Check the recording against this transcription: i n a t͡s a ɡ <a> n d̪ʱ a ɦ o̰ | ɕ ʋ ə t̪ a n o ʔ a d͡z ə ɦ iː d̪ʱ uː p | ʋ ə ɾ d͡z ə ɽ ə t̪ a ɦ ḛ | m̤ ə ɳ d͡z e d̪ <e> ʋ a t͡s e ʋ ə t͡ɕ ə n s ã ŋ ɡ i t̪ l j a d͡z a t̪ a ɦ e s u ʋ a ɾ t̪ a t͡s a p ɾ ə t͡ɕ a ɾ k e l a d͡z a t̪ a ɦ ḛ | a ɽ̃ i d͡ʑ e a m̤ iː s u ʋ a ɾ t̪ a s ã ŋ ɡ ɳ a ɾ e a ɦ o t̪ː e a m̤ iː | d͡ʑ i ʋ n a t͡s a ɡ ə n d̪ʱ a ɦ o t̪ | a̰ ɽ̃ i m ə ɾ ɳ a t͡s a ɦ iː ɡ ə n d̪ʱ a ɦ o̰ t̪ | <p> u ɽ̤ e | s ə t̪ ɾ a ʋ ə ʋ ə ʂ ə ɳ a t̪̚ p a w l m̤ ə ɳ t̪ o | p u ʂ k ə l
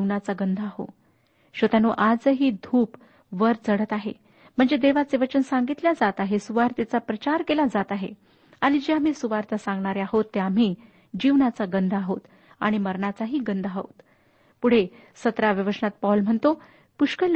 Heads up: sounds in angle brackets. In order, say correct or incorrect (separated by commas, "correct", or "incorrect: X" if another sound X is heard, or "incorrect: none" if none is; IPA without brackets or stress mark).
incorrect: ə, correct, correct